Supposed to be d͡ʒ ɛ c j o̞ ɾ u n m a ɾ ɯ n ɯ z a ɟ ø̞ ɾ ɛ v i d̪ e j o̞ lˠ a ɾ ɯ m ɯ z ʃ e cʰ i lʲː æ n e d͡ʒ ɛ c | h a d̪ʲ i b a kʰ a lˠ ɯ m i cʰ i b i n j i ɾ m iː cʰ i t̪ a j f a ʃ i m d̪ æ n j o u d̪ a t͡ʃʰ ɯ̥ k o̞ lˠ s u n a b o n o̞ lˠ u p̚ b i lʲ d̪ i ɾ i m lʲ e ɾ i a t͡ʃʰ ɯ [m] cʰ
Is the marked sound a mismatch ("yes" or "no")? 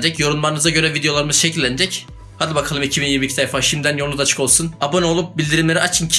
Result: yes